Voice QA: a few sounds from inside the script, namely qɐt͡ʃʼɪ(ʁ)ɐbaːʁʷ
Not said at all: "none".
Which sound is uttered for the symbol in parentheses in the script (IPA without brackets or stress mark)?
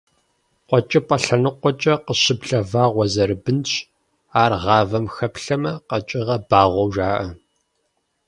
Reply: ʁ